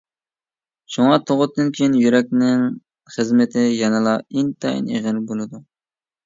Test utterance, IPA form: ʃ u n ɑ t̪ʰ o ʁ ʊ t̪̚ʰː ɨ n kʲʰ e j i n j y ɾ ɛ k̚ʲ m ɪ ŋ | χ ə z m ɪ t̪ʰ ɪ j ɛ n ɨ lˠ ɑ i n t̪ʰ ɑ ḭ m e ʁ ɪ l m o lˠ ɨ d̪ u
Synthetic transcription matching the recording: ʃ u ŋ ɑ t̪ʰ o ʁ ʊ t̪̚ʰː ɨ n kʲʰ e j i n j y ɾ ɛ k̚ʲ n ɪ ŋ | χ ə z m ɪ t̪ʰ ɪ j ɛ n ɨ lˠ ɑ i n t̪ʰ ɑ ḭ n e ʁ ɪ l b o lˠ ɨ d̪ u